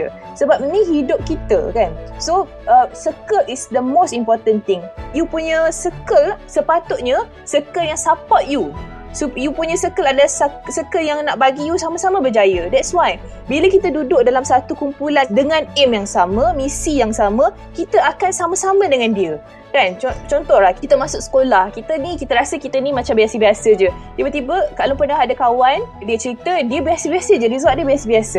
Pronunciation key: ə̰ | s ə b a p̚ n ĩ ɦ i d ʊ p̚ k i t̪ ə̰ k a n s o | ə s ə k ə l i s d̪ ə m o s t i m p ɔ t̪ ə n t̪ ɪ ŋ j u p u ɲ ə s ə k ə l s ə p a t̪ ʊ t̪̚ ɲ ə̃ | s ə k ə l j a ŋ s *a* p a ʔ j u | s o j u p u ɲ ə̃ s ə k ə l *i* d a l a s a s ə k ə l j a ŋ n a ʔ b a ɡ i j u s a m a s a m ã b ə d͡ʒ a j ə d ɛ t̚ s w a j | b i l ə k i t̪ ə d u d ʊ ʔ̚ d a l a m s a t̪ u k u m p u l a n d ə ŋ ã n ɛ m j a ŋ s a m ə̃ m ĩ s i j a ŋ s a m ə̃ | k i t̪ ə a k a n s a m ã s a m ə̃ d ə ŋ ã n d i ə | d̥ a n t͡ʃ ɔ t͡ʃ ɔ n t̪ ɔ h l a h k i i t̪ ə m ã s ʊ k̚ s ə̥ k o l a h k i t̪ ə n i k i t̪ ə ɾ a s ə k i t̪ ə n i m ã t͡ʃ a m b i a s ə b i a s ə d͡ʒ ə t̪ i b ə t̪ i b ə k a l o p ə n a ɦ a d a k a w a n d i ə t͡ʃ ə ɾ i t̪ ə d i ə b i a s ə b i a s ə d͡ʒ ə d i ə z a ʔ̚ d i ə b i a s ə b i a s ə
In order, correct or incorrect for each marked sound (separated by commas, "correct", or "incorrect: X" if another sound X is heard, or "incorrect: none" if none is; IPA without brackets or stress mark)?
correct, incorrect: a